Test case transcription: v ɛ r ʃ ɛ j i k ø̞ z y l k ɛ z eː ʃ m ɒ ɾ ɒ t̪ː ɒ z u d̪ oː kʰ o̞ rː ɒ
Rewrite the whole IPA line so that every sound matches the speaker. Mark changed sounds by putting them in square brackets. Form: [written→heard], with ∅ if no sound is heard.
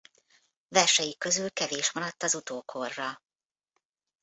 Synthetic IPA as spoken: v ɛ r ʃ ɛ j i k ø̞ z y l k ɛ [z→v] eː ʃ m ɒ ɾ ɒ t̪ː ɒ z u [d̪→t̪] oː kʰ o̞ rː ɒ